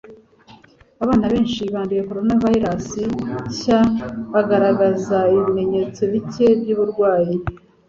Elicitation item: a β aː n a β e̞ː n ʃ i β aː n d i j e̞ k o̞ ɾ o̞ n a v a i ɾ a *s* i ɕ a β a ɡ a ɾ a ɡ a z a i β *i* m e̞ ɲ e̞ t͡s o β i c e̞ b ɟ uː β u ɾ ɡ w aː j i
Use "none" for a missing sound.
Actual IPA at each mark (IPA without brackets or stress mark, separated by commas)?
s, i